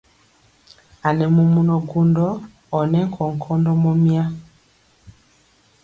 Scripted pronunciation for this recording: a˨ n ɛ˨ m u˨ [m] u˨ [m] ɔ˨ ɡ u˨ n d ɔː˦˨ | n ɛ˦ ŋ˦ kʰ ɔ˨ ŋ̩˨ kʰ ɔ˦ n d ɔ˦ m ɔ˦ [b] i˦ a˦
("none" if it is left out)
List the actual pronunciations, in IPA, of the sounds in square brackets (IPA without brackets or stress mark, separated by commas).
m, n, m